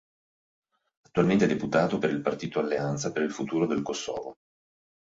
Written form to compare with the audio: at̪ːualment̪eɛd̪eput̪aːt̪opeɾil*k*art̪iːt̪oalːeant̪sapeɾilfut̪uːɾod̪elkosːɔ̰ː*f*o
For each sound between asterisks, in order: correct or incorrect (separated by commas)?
incorrect, incorrect